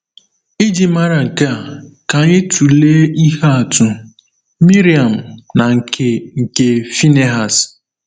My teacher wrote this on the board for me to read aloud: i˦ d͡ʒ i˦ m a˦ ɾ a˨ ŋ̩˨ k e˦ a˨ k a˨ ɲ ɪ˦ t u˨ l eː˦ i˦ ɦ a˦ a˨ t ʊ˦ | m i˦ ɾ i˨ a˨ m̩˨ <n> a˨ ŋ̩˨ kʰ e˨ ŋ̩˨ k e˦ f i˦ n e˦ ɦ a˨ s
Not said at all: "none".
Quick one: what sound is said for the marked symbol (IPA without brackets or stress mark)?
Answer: n